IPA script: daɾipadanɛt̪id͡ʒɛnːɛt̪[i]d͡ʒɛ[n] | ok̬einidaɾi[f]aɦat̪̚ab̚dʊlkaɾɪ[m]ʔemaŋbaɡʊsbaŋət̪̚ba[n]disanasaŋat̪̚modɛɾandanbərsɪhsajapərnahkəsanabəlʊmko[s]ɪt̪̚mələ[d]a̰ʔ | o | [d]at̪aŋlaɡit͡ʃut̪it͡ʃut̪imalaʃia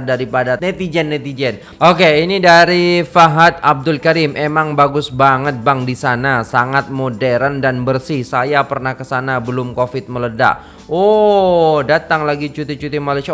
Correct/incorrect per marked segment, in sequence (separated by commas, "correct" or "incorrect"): correct, correct, correct, correct, incorrect, incorrect, correct, correct